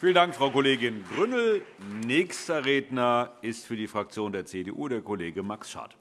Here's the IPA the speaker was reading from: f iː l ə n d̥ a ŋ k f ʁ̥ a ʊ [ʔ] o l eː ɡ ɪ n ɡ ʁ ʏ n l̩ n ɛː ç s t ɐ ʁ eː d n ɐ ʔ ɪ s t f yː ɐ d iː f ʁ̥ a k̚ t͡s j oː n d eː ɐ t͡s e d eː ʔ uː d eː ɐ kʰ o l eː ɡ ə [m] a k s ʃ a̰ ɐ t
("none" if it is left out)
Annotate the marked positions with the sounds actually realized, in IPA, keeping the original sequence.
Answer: k, m

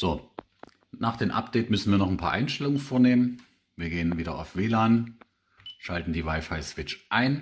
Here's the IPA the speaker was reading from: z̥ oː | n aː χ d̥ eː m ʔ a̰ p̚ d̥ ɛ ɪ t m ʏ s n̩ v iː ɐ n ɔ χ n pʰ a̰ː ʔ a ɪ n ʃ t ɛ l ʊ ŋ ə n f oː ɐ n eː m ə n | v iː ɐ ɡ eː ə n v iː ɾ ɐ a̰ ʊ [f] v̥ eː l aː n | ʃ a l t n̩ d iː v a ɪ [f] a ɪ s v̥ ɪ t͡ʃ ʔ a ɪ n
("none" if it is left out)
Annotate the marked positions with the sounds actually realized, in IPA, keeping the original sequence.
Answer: f, f

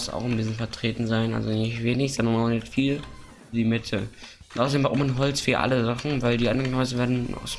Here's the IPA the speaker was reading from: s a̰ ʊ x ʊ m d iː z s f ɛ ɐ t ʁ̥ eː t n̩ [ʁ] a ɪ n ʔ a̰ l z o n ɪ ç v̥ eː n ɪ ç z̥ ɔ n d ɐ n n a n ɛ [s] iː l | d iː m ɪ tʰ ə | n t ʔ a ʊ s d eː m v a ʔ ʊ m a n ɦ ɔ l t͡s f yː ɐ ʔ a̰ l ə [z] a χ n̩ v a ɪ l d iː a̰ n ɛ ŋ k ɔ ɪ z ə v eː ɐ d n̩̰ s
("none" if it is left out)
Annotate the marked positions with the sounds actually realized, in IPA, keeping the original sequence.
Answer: z, f, z

